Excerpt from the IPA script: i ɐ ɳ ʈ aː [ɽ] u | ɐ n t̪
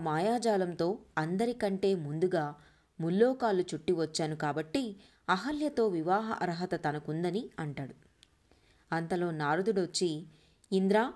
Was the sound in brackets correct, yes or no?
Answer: yes